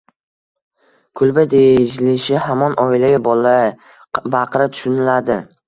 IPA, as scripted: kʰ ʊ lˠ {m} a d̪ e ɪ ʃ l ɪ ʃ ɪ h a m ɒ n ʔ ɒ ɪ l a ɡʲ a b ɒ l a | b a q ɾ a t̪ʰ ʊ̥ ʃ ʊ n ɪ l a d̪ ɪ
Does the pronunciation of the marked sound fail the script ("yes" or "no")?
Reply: yes